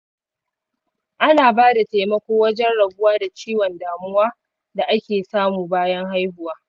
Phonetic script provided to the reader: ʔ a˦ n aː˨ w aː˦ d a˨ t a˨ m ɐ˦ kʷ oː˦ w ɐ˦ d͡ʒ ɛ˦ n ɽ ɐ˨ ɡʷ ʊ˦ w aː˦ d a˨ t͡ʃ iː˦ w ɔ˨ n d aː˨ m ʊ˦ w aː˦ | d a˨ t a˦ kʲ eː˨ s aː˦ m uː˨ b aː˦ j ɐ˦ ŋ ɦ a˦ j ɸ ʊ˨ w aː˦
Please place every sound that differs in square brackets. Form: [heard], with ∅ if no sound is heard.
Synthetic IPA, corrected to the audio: ʔ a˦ n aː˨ [b] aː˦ d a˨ t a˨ m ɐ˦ kʷ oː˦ w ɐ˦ d͡ʒ ɛ˦ n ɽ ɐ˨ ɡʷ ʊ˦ w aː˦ d a˨ t͡ʃ iː˦ w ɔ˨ n d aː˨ m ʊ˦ w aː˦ | d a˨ [ʔ] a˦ kʲ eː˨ s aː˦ m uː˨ b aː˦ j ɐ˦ ŋ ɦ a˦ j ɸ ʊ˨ w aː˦